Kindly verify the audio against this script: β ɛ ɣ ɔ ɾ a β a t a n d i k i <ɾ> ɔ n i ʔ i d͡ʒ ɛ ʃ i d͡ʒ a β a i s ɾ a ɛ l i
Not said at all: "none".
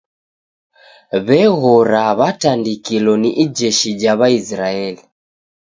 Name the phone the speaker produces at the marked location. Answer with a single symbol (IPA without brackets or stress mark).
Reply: l